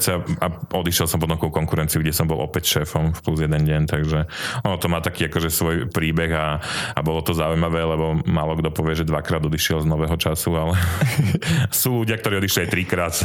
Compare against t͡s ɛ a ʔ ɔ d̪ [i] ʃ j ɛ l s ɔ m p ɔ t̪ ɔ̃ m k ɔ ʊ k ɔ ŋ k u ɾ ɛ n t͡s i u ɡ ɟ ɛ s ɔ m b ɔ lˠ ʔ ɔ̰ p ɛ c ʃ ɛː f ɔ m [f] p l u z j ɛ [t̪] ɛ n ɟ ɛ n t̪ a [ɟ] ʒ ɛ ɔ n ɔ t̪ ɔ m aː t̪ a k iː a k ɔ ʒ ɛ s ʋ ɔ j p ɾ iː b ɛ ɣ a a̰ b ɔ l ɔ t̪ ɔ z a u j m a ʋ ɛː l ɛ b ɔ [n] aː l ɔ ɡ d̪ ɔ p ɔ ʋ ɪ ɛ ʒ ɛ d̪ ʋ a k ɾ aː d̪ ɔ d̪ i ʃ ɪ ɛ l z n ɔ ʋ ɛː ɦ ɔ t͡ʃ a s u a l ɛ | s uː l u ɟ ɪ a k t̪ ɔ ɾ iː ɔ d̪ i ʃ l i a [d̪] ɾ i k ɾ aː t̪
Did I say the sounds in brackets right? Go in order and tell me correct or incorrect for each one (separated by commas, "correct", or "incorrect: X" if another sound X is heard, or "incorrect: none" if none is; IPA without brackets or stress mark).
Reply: correct, correct, incorrect: d̪, incorrect: ɡ, incorrect: m, incorrect: t̪